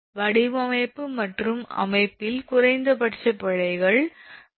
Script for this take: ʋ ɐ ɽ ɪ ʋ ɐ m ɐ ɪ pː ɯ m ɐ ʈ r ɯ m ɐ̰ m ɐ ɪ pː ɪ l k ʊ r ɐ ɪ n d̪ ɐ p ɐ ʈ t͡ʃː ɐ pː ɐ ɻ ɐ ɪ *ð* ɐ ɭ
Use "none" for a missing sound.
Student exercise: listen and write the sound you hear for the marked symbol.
ɣ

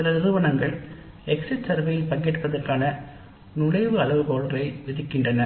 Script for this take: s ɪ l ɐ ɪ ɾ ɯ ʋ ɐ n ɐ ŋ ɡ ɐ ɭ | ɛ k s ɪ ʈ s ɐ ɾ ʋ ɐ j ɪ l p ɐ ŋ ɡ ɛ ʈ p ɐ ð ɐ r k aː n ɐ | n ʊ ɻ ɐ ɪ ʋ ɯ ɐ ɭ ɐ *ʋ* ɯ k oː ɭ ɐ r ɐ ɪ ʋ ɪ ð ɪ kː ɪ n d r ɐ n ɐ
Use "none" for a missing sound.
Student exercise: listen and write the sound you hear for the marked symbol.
ʋ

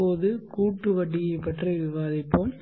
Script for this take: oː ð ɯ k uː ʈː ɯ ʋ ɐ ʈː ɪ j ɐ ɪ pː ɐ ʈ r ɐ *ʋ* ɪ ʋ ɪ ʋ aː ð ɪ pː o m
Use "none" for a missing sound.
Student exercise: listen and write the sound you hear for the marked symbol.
none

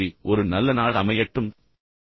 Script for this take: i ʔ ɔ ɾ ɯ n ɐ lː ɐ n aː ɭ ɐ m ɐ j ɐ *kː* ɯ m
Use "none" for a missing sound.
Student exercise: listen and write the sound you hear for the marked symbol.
ʈː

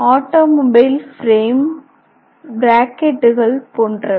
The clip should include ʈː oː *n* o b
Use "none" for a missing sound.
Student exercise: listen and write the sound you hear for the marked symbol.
m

